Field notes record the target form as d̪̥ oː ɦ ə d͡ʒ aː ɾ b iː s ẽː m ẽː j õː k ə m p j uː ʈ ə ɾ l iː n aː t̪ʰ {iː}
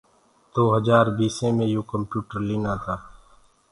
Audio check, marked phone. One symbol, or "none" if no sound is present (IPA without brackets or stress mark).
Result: aː